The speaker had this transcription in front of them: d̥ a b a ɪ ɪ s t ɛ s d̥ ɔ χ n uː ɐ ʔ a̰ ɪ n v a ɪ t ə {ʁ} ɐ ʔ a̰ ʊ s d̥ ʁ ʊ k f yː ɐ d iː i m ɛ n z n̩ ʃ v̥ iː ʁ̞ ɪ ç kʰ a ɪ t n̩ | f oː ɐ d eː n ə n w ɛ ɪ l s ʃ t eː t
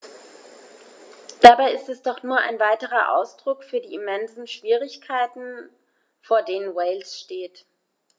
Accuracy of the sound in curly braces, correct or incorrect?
correct